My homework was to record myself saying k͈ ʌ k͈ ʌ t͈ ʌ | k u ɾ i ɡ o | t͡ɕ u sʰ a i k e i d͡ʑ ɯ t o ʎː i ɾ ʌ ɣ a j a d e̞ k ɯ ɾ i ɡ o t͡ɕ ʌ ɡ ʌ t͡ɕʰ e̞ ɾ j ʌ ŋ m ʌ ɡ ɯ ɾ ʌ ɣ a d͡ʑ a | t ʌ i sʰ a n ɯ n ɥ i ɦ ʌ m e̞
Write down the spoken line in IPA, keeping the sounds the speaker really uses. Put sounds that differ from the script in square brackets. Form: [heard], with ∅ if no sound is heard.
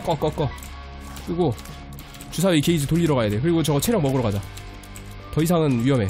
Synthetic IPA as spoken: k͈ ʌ k͈ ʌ [k͈] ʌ | k [ɯ] ɾ i ɡ o | t͡ɕ u sʰ a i k e i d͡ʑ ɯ t o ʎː i ɾ ʌ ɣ a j a d e̞ k ɯ ɾ i ɡ o t͡ɕ ʌ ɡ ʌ t͡ɕʰ e̞ ɾ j ʌ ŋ m ʌ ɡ ɯ ɾ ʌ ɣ a d͡ʑ a | t ʌ i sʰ a [ŋ] ɯ n ɥ i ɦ ʌ m e̞